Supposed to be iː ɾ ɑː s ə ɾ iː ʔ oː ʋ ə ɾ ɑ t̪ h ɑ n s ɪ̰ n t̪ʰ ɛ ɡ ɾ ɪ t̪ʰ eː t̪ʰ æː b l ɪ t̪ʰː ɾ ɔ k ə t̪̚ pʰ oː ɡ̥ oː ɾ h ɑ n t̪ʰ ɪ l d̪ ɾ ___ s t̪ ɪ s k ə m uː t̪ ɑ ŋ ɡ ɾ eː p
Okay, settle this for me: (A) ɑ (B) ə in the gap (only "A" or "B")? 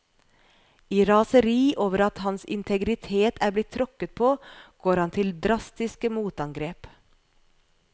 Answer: A